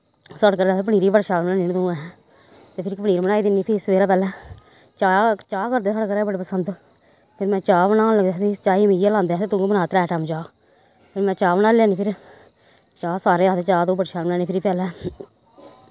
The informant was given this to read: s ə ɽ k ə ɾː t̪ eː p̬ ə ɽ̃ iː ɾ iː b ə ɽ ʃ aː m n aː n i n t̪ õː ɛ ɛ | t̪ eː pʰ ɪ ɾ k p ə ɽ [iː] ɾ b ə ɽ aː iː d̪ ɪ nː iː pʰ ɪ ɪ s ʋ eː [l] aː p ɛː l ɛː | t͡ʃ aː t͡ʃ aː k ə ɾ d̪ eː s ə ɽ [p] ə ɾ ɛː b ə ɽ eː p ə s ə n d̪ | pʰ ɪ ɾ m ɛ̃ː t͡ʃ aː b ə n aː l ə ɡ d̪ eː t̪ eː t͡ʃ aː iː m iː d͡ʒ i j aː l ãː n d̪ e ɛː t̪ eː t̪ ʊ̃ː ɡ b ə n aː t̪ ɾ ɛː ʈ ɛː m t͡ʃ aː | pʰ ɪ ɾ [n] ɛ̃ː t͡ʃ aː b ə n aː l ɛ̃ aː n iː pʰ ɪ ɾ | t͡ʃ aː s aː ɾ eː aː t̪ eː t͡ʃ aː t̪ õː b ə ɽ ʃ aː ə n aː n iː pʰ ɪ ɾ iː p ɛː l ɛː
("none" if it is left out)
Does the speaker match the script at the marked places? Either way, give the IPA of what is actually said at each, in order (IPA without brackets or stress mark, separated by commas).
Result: iː, ɾ, k, m